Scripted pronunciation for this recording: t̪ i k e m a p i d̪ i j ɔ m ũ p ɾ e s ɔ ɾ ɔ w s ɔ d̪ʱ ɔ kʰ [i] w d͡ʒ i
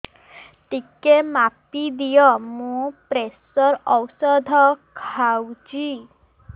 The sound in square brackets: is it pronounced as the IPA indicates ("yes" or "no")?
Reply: no